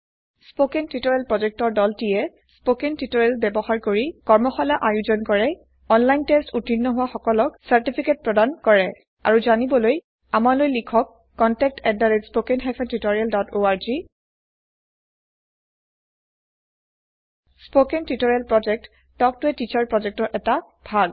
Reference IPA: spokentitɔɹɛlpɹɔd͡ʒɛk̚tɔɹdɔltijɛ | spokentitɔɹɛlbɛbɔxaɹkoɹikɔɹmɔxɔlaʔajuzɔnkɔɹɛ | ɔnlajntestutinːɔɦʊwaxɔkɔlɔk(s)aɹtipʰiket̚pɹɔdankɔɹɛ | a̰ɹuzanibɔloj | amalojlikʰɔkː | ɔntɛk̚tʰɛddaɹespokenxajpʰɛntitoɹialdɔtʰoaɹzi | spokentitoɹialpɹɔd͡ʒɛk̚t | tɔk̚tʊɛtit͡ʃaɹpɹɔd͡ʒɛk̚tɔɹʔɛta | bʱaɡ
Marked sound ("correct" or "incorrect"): correct